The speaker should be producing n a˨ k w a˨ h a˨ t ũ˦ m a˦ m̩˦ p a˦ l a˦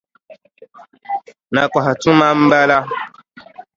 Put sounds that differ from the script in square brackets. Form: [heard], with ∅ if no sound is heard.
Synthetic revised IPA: n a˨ k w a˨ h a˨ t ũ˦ m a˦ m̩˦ [b] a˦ l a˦